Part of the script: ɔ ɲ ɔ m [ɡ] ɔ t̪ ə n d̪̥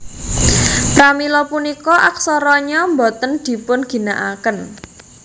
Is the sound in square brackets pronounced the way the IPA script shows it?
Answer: no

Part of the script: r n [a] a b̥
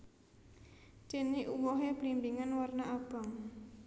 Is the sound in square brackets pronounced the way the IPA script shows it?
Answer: yes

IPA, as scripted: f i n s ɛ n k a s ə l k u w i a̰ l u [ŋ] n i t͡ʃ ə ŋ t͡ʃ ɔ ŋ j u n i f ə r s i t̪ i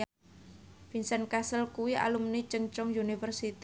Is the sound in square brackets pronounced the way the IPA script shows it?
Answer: no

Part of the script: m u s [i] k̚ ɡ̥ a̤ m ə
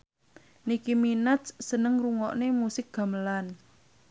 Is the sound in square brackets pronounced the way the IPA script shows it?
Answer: no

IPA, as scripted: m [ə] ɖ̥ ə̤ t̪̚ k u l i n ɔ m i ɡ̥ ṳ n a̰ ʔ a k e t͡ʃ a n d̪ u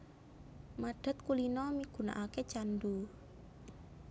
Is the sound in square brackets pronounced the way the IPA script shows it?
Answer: no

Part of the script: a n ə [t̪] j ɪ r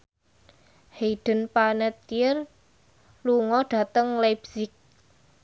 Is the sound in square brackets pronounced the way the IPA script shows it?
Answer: yes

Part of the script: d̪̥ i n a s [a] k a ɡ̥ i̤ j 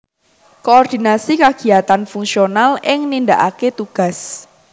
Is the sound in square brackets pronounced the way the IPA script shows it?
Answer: no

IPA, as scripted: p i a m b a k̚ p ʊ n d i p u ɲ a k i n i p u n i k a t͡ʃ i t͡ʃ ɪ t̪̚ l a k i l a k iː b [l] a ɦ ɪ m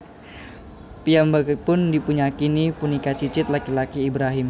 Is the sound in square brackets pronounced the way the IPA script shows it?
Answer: no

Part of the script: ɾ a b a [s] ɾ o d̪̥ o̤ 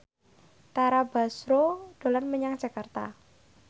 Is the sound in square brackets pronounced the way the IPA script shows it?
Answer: yes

